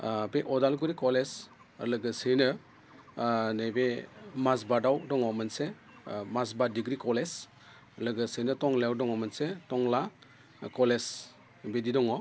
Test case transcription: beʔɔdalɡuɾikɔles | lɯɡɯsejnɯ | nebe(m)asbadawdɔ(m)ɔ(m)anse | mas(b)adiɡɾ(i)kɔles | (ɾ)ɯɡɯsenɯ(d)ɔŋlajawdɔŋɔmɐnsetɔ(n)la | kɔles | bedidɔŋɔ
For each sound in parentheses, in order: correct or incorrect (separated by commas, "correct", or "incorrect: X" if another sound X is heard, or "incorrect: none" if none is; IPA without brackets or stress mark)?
correct, incorrect: ŋ, correct, correct, correct, incorrect: l, incorrect: t, incorrect: ŋ